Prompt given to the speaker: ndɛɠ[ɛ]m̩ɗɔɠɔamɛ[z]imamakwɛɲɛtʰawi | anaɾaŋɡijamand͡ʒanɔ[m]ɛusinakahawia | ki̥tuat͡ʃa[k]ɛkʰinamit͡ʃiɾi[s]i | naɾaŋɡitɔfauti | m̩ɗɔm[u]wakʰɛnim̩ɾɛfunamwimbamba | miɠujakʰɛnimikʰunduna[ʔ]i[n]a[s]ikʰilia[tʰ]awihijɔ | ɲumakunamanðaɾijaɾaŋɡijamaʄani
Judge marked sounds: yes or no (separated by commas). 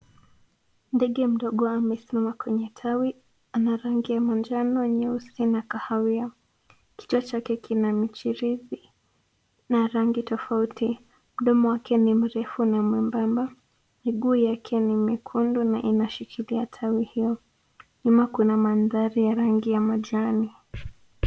yes, no, no, yes, no, no, yes, yes, no, yes